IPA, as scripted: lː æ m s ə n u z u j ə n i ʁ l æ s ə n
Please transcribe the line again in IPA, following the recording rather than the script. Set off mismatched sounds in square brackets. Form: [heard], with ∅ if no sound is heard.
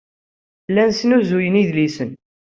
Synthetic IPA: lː æ [n] s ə n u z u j ə n i [ð] l [i] s ə n

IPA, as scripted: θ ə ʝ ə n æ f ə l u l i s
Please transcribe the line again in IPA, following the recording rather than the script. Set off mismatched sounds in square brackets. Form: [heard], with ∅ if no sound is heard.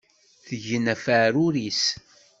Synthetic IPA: θ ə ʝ ə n æ f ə [ɾ] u [ɾ] i s

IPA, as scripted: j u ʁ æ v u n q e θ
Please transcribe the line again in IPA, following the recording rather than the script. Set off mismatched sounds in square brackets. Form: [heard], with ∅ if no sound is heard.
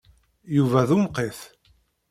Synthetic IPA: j u [v] æ [ð] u [m] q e θ

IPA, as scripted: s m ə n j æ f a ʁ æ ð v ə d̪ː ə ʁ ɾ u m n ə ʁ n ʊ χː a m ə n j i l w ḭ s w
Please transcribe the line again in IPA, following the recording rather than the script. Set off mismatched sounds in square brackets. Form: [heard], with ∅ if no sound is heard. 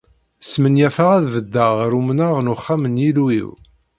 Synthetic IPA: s m ə n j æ f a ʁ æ ð v ə d̪ː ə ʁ ɾ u m n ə ʁ n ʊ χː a m ə n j i l w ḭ [∅] w

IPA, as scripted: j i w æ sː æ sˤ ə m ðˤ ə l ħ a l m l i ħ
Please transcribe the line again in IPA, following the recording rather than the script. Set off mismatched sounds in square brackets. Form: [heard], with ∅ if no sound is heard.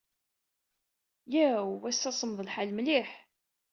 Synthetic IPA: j [æ] w æ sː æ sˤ ə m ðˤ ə l ħ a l m l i ħ

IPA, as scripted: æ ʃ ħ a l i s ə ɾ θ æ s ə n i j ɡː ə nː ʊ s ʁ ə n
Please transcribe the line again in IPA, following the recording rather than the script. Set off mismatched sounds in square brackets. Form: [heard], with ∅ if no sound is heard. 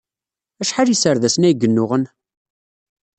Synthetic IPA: æ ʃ ħ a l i s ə ɾ [ð] æ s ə n [æ] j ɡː ə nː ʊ [∅] ʁ ə n

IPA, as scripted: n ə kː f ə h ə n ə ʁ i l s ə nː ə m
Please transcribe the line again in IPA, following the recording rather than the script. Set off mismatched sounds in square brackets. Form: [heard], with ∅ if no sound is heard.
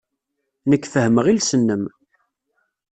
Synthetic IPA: n ə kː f ə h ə [m] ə ʁ i l s ə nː ə m

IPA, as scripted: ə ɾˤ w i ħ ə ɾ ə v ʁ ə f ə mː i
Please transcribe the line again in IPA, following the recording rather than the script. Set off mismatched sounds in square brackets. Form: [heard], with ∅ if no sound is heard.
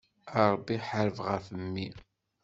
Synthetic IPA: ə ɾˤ [b] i ħ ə ɾ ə v ʁ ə f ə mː i

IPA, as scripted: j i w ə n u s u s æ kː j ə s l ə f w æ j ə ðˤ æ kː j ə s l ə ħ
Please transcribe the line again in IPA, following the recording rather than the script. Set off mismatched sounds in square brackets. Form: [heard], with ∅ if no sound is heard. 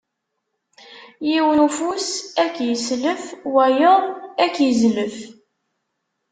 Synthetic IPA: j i w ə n u [f] u s æ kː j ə s l ə f w æ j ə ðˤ æ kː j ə [z] l ə [f]

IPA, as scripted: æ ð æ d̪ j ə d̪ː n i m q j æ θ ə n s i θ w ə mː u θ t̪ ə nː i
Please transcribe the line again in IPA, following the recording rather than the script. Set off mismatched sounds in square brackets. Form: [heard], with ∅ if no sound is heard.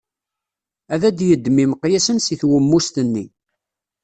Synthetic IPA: æ ð æ d̪ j ə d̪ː [m] i m q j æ [s] ə n s i θ w ə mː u [s] t̪ ə nː i

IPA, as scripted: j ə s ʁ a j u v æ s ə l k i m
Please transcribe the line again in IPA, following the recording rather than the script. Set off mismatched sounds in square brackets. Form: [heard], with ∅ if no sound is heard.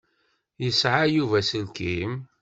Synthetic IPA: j ə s [ʕ] a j u v æ s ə l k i m

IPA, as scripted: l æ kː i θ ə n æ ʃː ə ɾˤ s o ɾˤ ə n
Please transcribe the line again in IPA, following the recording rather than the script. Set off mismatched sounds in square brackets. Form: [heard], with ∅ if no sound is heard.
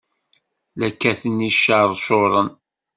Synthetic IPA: l æ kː [æ] θ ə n [i] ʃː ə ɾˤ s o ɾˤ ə n

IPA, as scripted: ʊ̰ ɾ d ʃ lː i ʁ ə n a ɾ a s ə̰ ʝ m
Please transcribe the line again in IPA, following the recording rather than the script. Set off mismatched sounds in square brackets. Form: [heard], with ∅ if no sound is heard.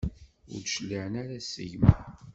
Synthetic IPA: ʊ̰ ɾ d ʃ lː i [ʕ] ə n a ɾ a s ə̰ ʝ m

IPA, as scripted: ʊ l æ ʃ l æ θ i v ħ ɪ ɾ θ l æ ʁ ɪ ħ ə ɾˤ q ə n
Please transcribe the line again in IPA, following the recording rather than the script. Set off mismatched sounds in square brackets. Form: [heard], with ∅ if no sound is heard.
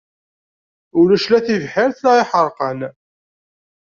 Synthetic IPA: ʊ l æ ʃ l æ θ i v ħ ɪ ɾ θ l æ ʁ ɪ ħ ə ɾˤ q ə n

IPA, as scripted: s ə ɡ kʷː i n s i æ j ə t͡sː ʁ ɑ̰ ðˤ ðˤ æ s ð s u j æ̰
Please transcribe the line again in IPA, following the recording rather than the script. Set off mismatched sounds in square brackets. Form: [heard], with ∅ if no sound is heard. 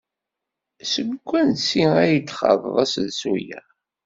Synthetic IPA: s ə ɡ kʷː [æ] n s i æ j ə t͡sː [χ] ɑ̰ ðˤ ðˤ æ s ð s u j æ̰

